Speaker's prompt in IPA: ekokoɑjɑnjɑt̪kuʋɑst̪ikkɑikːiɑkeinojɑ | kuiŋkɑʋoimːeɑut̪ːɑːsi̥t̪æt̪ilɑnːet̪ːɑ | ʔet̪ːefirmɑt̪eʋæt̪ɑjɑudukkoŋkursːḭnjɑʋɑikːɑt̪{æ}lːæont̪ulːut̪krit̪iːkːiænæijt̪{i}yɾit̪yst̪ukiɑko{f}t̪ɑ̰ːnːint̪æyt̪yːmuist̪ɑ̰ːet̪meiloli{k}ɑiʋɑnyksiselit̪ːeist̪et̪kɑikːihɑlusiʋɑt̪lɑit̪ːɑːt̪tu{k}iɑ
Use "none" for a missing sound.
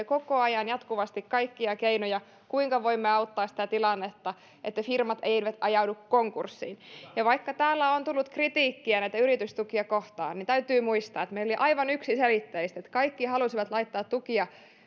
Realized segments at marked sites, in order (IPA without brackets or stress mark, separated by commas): æː, æ, h, ʔ, k